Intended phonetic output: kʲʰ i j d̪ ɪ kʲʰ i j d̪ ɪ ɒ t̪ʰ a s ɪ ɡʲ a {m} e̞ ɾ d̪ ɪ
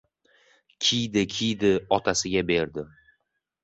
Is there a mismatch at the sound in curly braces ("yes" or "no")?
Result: yes